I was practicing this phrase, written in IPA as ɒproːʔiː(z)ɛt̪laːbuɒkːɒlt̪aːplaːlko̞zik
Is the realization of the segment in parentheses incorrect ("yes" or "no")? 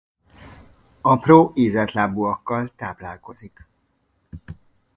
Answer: no